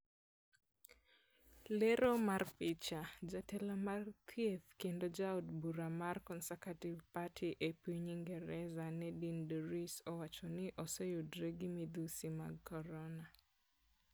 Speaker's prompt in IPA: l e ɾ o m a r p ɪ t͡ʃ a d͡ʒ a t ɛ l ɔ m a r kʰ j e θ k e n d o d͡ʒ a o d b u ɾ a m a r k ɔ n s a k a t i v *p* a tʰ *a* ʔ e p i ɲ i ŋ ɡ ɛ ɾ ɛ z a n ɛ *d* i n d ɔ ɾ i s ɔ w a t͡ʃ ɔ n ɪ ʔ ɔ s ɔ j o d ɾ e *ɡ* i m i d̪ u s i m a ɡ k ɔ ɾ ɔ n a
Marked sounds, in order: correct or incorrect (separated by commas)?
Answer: correct, incorrect, correct, correct